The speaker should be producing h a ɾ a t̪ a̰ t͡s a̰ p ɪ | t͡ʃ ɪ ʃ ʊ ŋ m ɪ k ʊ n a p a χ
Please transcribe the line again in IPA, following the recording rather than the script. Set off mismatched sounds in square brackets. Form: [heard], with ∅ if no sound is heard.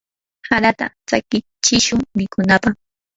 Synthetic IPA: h a ɾ a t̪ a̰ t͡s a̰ [k] ɪ | t͡ʃ ɪ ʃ ʊ ŋ m ɪ k ʊ n a p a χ